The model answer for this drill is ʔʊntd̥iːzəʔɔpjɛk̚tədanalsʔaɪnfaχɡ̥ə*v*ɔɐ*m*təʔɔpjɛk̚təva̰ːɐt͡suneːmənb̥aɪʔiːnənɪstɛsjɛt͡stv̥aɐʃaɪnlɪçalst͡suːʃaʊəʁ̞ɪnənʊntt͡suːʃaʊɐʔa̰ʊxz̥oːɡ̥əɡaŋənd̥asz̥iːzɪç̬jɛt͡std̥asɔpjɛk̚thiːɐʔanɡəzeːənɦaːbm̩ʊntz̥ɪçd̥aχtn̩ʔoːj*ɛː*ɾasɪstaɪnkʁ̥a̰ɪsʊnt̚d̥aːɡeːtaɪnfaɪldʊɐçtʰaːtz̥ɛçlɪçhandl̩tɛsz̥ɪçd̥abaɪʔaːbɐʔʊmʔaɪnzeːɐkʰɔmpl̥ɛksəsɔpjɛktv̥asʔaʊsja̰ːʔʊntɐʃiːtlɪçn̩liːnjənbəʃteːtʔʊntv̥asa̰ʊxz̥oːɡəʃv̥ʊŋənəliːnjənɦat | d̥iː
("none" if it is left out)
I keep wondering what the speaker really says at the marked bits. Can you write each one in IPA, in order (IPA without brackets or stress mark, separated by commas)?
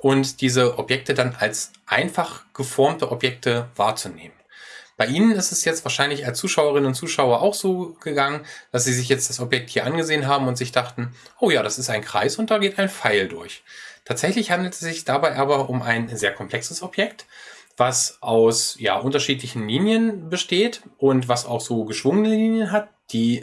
f, m, aː